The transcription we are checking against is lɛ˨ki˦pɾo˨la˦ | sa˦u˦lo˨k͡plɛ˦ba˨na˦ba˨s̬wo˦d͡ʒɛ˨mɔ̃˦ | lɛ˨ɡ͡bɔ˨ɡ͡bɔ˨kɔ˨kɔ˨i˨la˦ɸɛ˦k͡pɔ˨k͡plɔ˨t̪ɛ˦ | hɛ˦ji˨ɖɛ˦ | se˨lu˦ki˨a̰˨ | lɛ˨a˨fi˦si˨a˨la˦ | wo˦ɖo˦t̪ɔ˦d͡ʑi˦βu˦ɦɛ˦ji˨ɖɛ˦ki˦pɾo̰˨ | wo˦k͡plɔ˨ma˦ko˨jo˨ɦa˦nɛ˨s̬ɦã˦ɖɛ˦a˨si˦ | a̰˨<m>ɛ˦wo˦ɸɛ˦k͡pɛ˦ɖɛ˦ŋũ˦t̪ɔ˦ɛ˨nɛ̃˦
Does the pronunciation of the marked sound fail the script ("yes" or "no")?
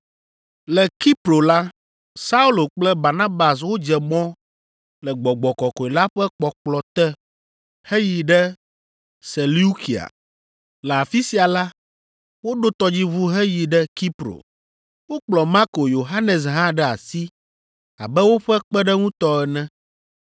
yes